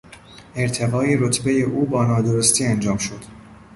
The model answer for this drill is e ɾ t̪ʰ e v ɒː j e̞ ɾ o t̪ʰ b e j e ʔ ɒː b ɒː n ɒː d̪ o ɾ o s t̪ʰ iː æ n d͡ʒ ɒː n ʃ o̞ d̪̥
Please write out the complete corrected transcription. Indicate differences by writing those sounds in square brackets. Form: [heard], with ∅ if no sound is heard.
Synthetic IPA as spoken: e ɾ t̪ʰ e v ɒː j e̞ ɾ o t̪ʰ b e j e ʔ [uː] b ɒː n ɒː d̪ o ɾ o s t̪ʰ iː æ n d͡ʒ ɒː [m] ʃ o̞ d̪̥